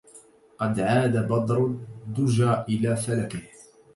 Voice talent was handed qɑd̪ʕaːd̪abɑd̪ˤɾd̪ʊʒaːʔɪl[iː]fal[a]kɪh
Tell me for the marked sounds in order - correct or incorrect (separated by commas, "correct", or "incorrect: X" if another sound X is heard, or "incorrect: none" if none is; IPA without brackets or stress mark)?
incorrect: aː, correct